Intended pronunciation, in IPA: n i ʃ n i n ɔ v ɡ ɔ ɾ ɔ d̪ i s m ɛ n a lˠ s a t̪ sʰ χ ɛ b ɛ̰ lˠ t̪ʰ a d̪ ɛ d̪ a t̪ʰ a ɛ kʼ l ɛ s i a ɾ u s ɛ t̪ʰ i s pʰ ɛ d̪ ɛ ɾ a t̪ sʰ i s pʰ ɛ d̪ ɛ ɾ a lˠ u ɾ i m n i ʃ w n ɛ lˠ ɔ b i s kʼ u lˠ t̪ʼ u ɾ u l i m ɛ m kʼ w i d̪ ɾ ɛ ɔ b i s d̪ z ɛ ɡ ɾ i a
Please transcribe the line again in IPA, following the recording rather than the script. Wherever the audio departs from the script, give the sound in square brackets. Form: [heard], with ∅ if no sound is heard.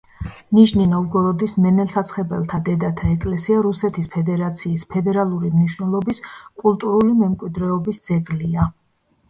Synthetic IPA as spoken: n i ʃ n i n ɔ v ɡ ɔ ɾ ɔ d̪ i s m ɛ n [ɛ] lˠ s a t̪ sʰ χ ɛ b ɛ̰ lˠ t̪ʰ a d̪ ɛ d̪ a t̪ʰ a ɛ kʼ l ɛ s i a ɾ u s ɛ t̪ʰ i s pʰ ɛ d̪ ɛ ɾ a t̪ sʰ [iː] s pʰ ɛ d̪ ɛ ɾ a lˠ u ɾ i m n i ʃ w n ɛ lˠ ɔ b i s kʼ u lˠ t̪ʼ u ɾ u l i m ɛ m kʼ w i d̪ ɾ ɛ ɔ b i s d̪ z ɛ ɡ [l] i a